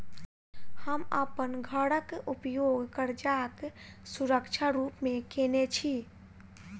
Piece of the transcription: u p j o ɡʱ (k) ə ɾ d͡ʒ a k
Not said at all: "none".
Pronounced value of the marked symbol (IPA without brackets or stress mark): k